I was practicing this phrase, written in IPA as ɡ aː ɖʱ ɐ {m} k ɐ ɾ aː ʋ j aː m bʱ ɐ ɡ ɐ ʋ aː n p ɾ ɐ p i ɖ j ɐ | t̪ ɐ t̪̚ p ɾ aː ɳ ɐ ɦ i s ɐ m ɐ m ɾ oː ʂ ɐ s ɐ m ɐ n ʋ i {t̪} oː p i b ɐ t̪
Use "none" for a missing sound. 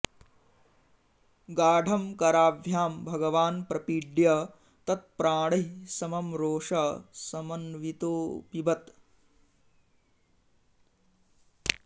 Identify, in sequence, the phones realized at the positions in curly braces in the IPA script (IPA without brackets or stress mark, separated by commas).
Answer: m, t̪